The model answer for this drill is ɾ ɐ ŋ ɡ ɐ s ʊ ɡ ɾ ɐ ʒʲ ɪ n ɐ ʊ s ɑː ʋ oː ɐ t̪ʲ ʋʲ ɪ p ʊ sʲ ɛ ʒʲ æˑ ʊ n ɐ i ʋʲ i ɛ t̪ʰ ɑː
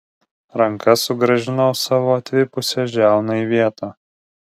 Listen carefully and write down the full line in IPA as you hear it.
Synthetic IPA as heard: ɾ ɐ ŋ k ɐ s ʊ ɡ ɾ ɐ ʒʲ ɪ n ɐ ʊ s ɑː ʋ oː ɐ t̪ʲ ʋʲ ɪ p ʊ sʲ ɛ ʒʲ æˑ ʊ n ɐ i ʋʲ i ɛ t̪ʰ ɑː

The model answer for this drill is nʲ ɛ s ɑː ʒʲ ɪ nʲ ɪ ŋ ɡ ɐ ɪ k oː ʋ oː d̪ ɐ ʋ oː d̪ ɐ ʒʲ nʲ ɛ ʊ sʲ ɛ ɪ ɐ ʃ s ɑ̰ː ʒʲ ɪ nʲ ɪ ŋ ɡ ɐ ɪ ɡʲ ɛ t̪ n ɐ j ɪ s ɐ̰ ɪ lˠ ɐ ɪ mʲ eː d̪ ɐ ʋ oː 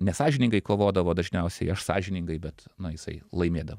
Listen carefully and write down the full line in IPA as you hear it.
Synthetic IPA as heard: nʲ ɛ s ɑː ʒʲ ɪ nʲ ɪ ŋ ɡ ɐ ɪ k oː ʋ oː d̪ ɐ ʋ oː d̪ ɐ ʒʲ nʲ ɛ ʊ sʲ ɛ ɪ ɐ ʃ s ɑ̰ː ʒʲ ɪ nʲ ɪ ŋ ɡ ɐ ɪ bʲ ɛ t̪ n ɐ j ɪ s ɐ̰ ɪ lˠ ɐ ɪ mʲ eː d̪ ɐ ʋ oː

